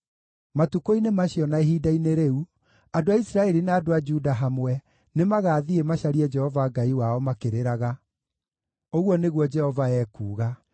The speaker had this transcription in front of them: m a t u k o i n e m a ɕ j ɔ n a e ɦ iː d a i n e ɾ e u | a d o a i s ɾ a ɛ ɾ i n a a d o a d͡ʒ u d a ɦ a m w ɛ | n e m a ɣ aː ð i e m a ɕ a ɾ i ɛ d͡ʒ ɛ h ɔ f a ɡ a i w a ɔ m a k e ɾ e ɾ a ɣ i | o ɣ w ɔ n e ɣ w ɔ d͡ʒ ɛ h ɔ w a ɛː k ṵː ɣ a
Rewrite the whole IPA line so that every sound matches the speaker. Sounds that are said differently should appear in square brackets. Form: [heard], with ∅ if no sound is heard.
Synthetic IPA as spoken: m a t u k o i n e m a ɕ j ɔ n a e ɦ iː d a i n e ɾ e u | a d o a i s ɾ a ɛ ɾ i n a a d o a d͡ʒ u d a ɦ a m w ɛ | n e m a ɣ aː ð i e m a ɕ a ɾ i ɛ d͡ʒ ɛ h ɔ [v] a ɡ a i w a ɔ m a k e ɾ e ɾ a ɣ [a] | o ɣ w ɔ n e ɣ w ɔ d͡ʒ ɛ h ɔ [v] a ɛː k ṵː ɣ a